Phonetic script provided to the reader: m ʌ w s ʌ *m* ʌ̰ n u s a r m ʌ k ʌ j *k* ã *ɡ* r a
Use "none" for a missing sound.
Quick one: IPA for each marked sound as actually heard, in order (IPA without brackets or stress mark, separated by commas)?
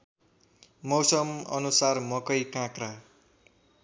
m, k, k